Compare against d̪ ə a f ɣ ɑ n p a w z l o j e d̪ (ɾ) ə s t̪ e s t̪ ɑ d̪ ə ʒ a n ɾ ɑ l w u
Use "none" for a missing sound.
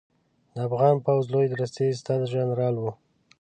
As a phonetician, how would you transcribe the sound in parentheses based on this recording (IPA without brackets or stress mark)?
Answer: ɾ